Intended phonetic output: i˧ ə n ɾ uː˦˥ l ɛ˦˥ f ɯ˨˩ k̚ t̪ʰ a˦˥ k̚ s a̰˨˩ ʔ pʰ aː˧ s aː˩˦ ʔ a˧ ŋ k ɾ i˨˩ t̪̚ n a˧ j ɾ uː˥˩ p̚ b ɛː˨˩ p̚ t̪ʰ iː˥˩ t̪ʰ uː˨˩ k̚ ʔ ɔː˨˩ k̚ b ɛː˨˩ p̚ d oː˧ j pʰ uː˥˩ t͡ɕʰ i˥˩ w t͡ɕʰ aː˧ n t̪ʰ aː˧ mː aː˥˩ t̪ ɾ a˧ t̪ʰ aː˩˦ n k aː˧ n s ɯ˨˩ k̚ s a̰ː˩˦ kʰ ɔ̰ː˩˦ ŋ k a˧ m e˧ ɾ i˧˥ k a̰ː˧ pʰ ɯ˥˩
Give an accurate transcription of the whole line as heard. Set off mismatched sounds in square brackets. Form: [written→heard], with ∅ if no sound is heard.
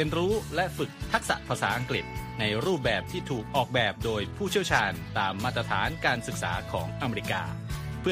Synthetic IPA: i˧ ə n ɾ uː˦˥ l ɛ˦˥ f ɯ˨˩ k̚ t̪ʰ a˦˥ k̚ s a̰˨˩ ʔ pʰ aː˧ s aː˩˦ ʔ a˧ ŋ k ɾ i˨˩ t̪̚ n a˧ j ɾ uː˥˩ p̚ b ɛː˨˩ p̚ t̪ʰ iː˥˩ t̪ʰ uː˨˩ k̚ ʔ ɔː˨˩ k̚ b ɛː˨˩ p̚ d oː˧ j pʰ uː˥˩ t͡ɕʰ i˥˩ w t͡ɕʰ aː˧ n [t̪ʰ→t̪] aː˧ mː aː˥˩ t̪ ɾ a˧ t̪ʰ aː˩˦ n k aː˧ n s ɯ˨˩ k̚ s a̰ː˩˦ kʰ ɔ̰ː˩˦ ŋ [k→ʔ] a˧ m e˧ ɾ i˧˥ k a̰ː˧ pʰ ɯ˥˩